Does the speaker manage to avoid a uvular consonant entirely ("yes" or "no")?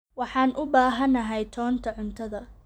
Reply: yes